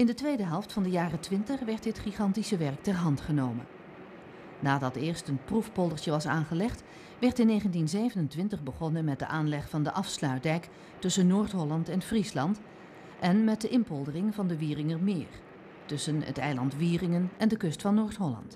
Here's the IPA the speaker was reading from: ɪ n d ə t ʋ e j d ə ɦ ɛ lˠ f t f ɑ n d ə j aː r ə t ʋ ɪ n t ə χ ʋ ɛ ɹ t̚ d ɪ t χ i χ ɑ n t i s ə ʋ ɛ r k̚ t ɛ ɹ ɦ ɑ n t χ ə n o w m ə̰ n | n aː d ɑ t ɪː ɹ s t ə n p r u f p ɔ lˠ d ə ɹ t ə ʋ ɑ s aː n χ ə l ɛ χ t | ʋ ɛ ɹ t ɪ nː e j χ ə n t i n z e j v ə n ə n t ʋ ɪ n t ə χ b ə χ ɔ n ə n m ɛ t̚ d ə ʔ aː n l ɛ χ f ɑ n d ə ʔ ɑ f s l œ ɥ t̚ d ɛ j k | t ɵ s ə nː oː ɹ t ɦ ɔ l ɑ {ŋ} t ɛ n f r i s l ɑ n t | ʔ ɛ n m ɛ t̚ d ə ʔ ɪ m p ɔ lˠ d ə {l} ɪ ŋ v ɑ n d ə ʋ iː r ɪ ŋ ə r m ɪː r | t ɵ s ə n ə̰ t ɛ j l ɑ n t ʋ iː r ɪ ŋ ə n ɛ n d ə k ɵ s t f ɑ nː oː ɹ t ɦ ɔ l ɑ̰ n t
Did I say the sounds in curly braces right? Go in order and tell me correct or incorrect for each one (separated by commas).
incorrect, incorrect